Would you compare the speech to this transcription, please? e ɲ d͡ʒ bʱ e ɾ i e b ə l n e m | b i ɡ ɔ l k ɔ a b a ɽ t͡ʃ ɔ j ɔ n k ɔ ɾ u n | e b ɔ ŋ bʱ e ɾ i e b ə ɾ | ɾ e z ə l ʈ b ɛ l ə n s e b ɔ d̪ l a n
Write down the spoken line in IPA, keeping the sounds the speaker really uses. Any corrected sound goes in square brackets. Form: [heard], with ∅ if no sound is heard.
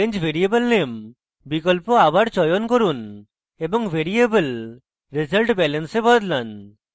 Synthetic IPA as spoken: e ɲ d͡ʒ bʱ e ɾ i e b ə l n e m | b i [k] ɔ l [p] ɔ a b a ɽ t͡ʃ ɔ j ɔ n k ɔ ɾ u n | e b ɔ ŋ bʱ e ɾ i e b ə [l] | ɾ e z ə l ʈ b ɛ l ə n s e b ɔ d̪ l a n